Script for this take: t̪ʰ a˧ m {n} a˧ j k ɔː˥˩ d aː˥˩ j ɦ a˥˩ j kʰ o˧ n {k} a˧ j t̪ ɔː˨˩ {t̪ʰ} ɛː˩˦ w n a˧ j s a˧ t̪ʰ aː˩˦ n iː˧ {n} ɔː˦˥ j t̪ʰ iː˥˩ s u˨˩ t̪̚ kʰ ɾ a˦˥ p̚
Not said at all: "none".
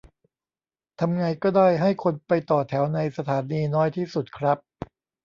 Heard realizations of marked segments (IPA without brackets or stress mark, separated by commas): ŋ, p, t̪ʰ, n